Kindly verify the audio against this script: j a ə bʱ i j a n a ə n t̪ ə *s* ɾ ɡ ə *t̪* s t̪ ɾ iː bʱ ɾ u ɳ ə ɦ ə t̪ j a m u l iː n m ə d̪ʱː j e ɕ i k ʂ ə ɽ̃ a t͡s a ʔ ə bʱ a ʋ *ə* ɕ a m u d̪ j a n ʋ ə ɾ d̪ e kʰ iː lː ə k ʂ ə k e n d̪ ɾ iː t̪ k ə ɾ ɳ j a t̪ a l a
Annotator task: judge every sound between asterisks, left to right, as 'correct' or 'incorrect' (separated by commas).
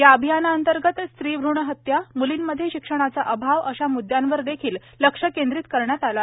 incorrect, correct, correct